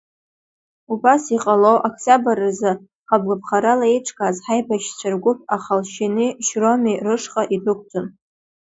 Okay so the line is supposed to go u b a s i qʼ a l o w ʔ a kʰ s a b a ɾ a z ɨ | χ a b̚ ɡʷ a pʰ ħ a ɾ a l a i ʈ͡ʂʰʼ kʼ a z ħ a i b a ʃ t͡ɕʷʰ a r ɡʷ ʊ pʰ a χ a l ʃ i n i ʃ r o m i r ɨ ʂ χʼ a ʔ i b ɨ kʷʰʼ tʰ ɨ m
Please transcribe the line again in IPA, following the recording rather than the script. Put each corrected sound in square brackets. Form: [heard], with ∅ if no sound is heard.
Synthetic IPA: u b a s i qʼ a l o w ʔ a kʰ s a b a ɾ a z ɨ | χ a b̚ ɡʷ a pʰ [χ] a ɾ a l a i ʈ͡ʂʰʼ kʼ a z ħ a [j] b a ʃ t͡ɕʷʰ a r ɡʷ ʊ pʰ a χ a l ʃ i n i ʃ r o m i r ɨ ʂ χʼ a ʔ i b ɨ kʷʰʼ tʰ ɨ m